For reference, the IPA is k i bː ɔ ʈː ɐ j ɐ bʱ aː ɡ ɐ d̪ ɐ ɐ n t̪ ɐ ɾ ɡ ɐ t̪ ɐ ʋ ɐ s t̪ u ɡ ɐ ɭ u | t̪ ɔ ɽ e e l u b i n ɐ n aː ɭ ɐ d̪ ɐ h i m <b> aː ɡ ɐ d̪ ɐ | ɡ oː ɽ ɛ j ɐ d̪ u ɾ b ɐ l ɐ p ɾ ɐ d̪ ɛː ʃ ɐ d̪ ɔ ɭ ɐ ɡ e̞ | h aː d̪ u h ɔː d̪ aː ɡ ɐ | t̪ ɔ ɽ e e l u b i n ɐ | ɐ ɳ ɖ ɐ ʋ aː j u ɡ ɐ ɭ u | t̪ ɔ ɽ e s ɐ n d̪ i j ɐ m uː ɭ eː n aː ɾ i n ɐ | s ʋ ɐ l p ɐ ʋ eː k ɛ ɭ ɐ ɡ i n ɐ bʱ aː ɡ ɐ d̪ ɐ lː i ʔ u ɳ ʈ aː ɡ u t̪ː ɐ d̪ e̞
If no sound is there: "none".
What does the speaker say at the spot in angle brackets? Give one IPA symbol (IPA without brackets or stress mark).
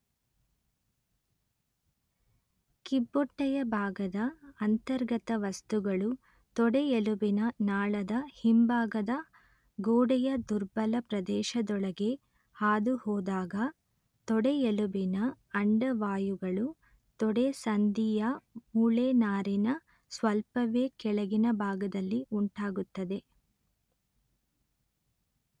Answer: b